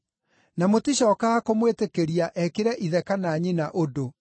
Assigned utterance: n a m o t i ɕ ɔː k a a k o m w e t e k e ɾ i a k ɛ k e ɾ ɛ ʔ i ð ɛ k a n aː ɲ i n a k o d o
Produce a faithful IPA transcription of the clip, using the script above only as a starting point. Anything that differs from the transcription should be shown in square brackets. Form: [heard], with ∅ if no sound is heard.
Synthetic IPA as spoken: n a m o t i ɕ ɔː k a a k o m w e t e k e ɾ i a [ʔ] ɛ k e ɾ ɛ ʔ i ð ɛ k a n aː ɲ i n a [ʔ] o d o